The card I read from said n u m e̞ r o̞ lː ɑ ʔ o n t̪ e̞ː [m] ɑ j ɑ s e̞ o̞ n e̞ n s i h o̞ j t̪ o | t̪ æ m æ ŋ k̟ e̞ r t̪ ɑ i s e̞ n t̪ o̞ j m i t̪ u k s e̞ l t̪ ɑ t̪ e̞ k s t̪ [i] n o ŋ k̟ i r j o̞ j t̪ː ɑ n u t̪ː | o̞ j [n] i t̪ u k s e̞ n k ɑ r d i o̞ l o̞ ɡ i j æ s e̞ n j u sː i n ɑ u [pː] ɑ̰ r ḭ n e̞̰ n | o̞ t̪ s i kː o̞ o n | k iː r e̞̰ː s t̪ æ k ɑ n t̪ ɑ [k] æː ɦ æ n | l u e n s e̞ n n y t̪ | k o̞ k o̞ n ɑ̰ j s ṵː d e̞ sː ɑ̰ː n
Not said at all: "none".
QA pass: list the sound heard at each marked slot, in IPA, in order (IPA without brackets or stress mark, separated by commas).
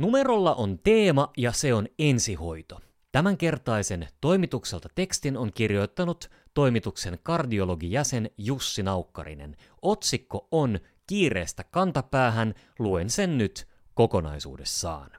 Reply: m, i, m, kː, p